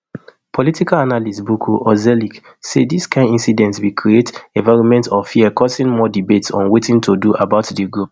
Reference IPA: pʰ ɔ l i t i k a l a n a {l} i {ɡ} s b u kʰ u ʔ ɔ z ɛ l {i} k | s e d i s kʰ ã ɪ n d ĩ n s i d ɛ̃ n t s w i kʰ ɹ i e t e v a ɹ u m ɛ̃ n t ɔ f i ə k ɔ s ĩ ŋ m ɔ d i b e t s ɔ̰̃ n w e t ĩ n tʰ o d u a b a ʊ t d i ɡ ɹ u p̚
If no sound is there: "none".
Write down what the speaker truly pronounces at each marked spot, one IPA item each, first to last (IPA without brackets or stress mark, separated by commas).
l, none, i